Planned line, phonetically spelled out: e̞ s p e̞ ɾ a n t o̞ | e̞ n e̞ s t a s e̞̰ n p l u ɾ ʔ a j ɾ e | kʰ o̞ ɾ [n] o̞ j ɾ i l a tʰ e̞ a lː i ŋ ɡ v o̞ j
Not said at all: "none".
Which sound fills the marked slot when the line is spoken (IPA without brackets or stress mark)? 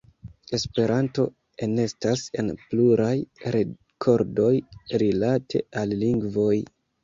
d